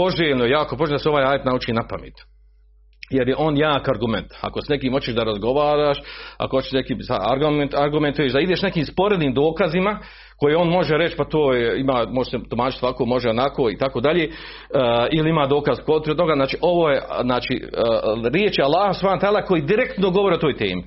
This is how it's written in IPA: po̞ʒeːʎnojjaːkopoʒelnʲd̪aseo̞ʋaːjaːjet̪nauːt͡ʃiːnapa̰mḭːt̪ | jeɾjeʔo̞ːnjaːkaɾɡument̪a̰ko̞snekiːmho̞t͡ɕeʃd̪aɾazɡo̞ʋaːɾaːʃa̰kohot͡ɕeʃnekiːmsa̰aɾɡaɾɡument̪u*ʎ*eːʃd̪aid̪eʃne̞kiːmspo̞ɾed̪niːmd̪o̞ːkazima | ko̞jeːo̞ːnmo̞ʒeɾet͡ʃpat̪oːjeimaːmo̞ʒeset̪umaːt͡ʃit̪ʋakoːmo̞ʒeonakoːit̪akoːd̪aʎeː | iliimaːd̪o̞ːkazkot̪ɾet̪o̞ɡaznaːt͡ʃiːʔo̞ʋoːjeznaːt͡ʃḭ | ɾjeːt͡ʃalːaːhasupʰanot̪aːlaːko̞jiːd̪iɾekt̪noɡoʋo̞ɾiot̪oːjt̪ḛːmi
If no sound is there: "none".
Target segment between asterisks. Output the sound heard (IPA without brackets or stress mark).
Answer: j